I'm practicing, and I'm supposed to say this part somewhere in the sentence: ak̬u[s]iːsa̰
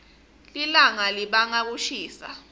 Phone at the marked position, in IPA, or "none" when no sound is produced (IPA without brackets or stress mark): ʃ